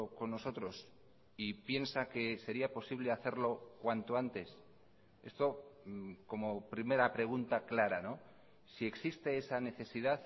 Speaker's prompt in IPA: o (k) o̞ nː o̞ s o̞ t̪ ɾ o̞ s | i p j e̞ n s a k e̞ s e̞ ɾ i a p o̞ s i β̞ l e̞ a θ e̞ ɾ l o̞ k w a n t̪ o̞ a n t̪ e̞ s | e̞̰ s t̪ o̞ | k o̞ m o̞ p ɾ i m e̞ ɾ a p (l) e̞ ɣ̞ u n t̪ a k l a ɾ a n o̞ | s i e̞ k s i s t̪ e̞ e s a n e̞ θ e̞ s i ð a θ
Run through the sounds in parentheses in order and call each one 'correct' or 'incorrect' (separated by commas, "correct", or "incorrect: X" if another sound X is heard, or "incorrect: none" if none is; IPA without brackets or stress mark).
correct, incorrect: ɾ